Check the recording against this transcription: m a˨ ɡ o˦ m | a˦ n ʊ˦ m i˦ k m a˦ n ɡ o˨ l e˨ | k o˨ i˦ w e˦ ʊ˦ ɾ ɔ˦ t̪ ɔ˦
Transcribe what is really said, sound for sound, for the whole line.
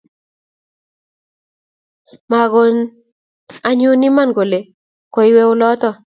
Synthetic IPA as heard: m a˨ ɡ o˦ n | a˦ ɲ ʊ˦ n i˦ m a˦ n ɡ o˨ l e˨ | k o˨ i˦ w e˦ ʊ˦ l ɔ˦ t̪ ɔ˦